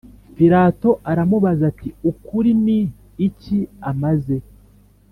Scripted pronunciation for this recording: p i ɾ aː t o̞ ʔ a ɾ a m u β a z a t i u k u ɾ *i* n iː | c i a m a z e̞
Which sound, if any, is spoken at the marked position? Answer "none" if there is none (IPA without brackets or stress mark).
i